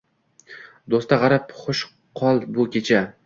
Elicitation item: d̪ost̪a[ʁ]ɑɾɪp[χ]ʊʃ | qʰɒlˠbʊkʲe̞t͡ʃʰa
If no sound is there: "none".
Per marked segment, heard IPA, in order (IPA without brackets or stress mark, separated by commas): ʁ, χ